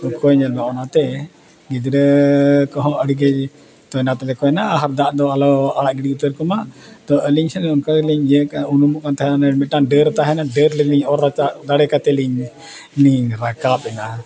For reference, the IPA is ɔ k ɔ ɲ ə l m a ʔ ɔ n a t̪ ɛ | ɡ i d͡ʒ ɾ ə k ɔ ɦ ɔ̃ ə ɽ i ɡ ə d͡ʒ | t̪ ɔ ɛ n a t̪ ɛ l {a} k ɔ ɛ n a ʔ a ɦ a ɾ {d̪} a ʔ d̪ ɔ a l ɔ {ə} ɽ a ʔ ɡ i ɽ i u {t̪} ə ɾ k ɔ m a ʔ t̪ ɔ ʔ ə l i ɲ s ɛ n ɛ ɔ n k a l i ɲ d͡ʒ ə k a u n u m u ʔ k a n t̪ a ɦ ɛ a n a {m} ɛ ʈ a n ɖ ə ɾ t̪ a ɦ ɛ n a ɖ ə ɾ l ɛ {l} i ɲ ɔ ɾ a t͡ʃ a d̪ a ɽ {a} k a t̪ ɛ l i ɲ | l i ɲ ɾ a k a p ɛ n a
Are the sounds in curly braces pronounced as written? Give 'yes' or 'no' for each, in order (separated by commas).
no, yes, no, yes, yes, yes, no